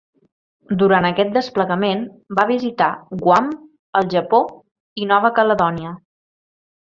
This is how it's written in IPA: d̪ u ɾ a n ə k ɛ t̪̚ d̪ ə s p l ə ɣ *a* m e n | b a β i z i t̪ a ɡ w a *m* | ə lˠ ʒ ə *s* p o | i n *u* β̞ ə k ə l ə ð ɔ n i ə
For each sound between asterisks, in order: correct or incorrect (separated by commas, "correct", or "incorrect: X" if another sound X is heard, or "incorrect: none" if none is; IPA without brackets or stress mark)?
incorrect: ə, correct, incorrect: none, incorrect: ɔ